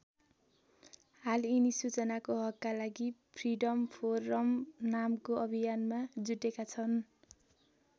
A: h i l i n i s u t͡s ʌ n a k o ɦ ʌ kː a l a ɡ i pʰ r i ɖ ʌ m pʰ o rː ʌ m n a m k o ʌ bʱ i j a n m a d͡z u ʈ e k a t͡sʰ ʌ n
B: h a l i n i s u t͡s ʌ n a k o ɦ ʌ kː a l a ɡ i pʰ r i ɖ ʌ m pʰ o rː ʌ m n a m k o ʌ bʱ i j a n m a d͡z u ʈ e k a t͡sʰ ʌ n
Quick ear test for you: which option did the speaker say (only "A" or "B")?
B